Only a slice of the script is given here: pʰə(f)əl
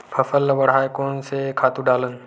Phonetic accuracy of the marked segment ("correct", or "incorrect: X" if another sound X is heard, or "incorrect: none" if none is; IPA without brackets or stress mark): correct